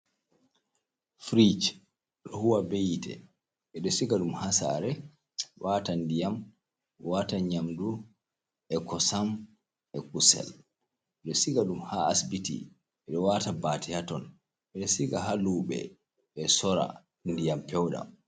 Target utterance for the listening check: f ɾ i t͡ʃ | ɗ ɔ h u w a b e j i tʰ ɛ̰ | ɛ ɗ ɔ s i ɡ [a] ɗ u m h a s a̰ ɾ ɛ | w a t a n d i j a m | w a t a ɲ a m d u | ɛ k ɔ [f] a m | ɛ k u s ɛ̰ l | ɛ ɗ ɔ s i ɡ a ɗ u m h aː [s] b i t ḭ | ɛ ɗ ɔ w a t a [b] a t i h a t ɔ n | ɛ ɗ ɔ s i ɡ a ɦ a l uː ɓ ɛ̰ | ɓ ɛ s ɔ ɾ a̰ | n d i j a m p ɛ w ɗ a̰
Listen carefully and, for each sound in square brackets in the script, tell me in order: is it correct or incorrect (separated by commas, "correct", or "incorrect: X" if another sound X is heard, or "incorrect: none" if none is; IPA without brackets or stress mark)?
correct, incorrect: s, correct, correct